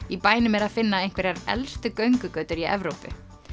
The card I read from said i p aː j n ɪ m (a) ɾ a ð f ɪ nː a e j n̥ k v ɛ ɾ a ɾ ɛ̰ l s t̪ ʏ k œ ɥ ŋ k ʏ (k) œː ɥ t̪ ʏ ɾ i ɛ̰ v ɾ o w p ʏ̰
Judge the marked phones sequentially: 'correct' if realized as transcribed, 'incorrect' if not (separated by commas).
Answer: incorrect, correct